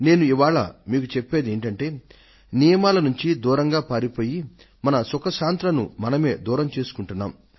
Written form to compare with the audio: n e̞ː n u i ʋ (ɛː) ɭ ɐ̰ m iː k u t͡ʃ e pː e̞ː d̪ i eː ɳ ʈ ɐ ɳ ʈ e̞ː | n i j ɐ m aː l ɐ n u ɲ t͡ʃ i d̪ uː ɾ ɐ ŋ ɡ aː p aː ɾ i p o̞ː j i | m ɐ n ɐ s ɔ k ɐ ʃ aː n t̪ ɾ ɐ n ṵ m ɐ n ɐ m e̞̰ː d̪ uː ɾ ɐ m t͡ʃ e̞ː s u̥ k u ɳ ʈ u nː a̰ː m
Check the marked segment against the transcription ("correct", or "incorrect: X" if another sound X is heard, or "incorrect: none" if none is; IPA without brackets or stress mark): incorrect: aː